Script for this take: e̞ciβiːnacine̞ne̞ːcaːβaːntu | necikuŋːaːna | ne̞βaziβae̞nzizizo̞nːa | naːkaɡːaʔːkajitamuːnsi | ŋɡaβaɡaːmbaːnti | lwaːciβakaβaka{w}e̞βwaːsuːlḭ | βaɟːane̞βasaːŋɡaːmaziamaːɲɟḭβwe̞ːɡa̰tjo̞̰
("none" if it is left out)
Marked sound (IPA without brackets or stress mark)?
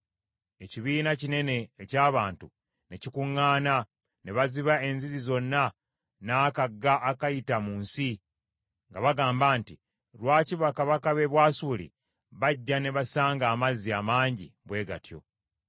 β